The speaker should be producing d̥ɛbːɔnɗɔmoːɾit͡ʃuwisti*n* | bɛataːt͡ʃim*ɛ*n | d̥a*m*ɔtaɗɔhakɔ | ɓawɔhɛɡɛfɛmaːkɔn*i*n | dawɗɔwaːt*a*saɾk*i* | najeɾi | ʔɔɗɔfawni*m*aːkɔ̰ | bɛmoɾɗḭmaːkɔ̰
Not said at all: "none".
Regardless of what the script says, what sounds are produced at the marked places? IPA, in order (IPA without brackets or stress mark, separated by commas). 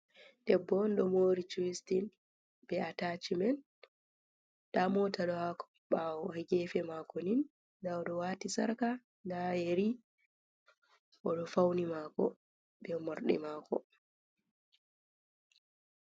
n, ɛ, m, i, i, a, m